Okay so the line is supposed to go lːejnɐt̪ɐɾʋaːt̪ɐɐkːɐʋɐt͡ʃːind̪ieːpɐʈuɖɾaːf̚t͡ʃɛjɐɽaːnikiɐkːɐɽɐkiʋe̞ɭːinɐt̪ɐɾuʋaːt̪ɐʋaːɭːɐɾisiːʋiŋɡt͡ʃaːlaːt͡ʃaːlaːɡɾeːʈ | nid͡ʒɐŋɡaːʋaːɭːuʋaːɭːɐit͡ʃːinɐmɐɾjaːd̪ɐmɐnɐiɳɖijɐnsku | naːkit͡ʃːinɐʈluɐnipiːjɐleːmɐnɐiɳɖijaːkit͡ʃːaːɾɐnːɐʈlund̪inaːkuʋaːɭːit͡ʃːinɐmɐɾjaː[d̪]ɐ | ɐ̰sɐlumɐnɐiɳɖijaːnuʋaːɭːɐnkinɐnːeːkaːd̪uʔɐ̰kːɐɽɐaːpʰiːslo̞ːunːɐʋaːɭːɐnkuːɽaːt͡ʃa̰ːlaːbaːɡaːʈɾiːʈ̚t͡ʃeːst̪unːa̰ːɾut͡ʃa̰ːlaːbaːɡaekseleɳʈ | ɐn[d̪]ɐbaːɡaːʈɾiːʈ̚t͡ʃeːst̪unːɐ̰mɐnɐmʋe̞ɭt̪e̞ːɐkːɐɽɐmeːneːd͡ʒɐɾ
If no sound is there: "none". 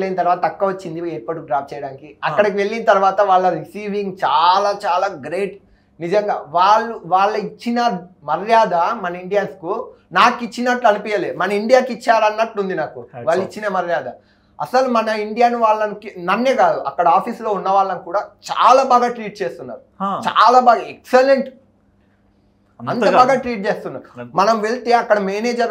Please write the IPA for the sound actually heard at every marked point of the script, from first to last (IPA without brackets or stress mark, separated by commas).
d̪, t̪